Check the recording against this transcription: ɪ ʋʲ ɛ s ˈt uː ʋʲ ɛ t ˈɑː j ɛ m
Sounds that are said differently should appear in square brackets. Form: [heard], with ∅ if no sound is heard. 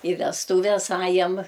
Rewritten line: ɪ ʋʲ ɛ s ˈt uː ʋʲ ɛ [s] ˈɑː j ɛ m